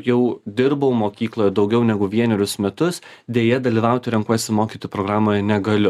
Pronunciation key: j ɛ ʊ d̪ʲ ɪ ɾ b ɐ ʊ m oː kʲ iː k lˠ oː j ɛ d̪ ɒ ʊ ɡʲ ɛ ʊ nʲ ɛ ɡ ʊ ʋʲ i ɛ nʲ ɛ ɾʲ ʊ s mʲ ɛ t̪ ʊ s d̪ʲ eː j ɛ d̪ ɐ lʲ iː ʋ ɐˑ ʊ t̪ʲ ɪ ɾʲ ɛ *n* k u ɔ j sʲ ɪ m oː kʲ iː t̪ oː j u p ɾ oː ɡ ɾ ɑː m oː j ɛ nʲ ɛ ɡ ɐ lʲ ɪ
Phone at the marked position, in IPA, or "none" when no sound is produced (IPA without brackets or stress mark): ŋ